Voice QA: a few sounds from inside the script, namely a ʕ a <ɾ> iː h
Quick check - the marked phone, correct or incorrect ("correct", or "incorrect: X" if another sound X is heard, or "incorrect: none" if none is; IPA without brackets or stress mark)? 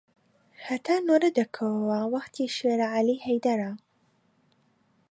incorrect: l